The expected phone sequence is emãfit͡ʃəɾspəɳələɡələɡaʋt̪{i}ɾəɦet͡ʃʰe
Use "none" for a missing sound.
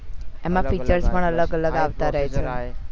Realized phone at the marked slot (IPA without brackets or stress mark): a